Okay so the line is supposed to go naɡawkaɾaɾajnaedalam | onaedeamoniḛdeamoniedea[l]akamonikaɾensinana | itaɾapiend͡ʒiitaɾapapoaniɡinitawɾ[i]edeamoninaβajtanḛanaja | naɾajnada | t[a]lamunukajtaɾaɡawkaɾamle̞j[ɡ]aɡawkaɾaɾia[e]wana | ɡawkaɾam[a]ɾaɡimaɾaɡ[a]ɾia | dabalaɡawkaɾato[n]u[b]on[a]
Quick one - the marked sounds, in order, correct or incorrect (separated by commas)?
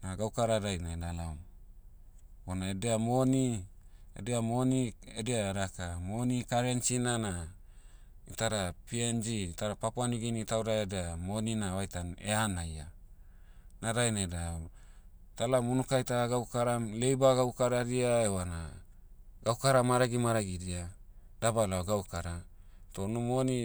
incorrect, incorrect, correct, incorrect, correct, correct, incorrect, correct, incorrect, incorrect